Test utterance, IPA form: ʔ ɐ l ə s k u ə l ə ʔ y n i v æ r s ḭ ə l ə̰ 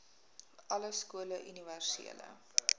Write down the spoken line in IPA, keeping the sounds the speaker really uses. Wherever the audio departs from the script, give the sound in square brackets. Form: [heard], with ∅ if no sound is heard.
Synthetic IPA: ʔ ɐ l ə s k u ə l ə ʔ y n i v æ r s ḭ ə l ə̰